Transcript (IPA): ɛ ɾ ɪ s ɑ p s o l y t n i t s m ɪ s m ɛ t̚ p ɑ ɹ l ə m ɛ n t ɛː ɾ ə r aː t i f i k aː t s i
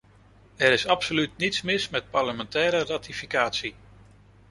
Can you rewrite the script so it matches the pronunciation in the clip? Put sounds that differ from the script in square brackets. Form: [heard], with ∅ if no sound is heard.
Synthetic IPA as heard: ɛ ɾ ɪ s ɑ p s o l y t n i t s m ɪ s m ɛ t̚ p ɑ ɹ l ə m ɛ n t ɛː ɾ ə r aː t i f i k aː t s i